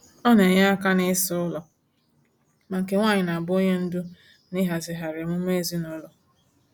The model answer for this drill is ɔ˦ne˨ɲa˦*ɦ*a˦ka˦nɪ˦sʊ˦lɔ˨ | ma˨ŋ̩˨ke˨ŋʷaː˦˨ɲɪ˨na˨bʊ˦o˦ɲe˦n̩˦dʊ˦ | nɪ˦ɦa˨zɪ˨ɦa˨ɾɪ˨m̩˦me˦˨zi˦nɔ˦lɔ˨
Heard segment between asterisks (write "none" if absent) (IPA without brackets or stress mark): none